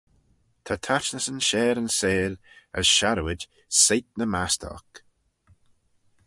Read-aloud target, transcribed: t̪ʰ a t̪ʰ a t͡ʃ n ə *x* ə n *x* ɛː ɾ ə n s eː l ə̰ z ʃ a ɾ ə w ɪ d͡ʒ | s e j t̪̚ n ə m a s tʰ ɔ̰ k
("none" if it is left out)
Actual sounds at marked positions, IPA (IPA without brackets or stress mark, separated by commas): s, ʃ